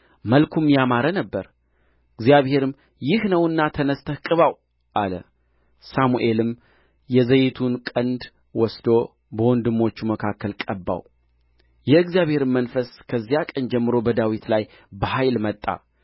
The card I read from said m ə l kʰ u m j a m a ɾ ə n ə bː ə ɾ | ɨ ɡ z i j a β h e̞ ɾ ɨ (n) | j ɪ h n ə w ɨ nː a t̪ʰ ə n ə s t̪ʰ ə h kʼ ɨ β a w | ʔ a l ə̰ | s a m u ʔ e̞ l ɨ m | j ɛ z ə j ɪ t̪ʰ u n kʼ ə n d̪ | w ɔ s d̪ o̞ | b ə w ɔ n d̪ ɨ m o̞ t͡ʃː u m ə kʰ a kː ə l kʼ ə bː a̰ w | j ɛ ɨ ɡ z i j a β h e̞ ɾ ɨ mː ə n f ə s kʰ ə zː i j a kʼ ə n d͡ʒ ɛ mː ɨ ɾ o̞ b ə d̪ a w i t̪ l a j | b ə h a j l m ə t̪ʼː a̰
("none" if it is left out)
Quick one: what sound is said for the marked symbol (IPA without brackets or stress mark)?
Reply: m